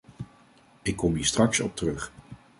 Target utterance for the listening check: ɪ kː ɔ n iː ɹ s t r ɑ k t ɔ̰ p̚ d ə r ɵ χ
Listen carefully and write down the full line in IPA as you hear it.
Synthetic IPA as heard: ɪ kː ɔ m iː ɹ s t r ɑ k s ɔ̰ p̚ t ə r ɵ χ